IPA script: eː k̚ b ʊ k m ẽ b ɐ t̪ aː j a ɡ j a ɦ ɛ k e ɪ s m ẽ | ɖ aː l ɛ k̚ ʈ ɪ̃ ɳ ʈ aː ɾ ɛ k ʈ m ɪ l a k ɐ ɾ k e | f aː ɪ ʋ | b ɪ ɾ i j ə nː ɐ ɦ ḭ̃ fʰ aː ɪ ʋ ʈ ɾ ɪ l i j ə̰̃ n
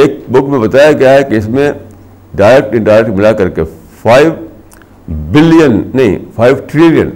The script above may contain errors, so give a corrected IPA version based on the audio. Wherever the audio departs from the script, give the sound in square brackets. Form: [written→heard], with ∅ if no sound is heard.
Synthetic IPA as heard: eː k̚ b ʊ k m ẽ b ɐ t̪ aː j a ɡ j a ɦ ɛ k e ɪ s m ẽ | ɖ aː [l→ɾ] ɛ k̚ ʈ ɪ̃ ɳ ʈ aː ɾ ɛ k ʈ m ɪ l a k ɐ ɾ k e | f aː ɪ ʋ | b ɪ [ɾ→l] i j ə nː ɐ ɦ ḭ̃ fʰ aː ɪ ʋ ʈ ɾ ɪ l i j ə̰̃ n